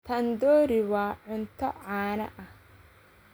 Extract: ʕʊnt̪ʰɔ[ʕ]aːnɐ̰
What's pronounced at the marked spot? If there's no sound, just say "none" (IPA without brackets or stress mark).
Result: ʕ